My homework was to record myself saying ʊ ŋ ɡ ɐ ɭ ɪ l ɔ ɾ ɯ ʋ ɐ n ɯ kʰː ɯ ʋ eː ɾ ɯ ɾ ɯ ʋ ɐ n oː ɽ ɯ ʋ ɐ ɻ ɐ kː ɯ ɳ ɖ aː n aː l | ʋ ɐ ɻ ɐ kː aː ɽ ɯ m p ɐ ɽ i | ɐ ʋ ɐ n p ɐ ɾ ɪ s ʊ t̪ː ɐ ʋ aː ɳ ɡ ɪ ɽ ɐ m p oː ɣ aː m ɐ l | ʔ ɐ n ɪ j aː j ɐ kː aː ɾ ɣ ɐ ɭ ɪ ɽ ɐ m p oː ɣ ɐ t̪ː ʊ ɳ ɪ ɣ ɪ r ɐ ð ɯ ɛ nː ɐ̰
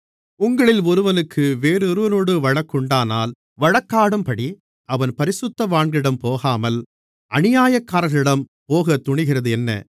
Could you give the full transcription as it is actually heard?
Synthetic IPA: ʊ ŋ ɡ ɐ ɭ ɪ l ɔ ɾ ɯ ʋ ɐ n ɯ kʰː ɯ ʋ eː ɾ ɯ ɾ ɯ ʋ ɐ n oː ɽ ɯ ʋ ɐ ɻ ɐ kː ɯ ɳ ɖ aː n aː l | ʋ ɐ ɻ ɐ kː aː ɽ ɯ m p ɐ ɽ i | ɐ ʋ ɐ n p ɐ ɾ ɪ s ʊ t̪ː ɐ ʋ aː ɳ ɡ ɪ ɽ ɐ m p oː ɣ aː m ɐ l | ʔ ɐ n ɪ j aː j ɐ kː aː ɾ ɣ ɐ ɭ ɪ ɽ ɐ m p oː ɣ ɐ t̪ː ʊ ɳ ɪ ɣ ɪ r ɐ ð ɯ ɛ nː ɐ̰